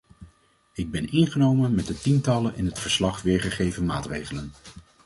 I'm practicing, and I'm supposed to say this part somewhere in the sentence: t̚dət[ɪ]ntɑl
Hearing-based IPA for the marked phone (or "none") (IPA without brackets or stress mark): i